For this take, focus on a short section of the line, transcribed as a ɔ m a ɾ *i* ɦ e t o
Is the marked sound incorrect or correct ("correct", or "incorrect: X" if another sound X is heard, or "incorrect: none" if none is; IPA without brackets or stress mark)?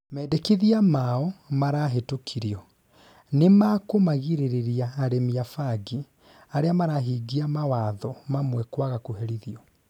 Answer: incorrect: a